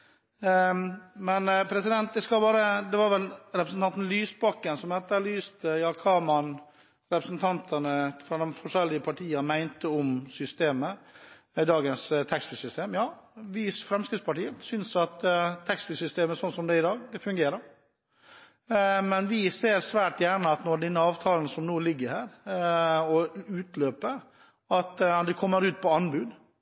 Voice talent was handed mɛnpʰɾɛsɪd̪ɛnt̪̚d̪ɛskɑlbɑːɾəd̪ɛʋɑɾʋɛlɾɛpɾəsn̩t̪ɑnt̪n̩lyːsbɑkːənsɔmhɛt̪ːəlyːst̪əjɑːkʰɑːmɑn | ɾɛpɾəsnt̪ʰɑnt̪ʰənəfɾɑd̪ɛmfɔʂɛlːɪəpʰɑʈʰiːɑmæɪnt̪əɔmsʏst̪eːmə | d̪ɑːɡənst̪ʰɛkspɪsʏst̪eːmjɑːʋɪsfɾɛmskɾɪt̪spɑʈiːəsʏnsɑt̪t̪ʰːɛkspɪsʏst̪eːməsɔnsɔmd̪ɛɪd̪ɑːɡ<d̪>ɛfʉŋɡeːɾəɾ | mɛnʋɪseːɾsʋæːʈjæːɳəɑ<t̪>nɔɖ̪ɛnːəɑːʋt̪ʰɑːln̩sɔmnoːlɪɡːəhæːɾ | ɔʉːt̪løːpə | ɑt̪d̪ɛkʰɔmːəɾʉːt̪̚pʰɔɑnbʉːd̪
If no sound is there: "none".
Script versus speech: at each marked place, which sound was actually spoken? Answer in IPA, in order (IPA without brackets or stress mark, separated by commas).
d̪, t̪